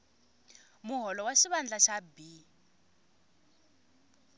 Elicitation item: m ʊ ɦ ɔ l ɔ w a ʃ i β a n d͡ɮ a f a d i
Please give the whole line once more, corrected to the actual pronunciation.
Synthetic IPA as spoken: m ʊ ɦ ɔ l ɔ w a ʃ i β a n d͡ɮ a ʃ a b i